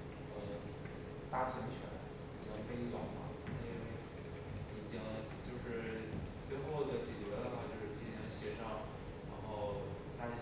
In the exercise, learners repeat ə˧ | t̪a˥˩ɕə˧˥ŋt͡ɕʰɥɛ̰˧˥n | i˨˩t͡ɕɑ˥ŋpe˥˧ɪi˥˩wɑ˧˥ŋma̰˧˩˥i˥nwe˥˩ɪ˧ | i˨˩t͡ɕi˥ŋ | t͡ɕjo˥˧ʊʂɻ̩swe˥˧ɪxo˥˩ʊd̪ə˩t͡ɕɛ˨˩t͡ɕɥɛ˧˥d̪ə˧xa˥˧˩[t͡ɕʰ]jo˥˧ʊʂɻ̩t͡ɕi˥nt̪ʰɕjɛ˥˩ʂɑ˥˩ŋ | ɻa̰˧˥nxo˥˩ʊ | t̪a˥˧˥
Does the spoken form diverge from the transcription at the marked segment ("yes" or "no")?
yes